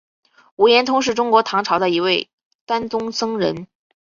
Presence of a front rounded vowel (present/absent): absent